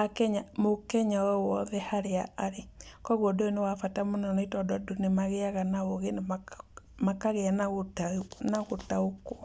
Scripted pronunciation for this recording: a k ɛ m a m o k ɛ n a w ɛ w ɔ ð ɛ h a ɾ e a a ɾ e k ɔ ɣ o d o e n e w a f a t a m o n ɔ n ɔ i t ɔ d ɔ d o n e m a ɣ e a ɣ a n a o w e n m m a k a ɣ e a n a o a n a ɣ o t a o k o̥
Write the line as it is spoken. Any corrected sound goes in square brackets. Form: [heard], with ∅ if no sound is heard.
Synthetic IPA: a k ɛ [ɲ] a m o k ɛ [ɲ] a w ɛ w ɔ ð ɛ h a ɾ e a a ɾ e k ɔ ɣ o d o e n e w a f a t a m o n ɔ n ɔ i t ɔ d ɔ d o n e m a ɣ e a ɣ a n a o [ɣ] e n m m a k a ɣ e a n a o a n a ɣ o t a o k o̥